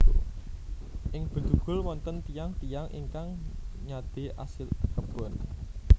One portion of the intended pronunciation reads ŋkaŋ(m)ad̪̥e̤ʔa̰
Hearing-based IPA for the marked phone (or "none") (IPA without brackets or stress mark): ɲ